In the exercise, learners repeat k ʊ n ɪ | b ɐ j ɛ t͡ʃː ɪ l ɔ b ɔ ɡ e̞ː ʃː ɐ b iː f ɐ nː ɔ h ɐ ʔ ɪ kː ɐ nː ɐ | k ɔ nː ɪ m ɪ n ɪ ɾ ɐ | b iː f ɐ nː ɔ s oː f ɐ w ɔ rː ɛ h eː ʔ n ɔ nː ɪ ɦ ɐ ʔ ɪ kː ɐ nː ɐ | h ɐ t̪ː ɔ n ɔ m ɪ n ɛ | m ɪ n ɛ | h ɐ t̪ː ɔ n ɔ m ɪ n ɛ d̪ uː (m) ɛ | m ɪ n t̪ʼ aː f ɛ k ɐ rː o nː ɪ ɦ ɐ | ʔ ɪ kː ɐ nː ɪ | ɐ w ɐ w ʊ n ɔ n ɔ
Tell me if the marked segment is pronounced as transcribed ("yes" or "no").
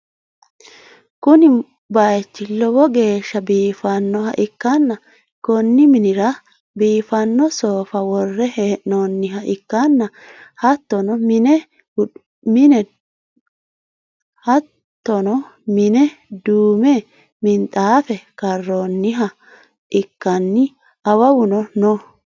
yes